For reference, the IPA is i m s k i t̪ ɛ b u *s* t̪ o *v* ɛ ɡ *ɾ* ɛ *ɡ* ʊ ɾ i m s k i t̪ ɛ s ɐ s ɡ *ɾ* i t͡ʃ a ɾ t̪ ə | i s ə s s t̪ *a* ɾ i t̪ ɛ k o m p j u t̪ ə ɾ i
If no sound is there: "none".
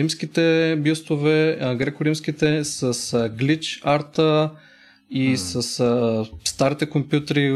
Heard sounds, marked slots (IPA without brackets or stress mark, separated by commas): s, v, ɾ, k, l, a